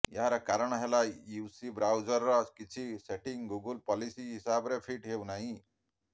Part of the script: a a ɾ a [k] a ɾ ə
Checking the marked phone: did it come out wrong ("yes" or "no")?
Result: no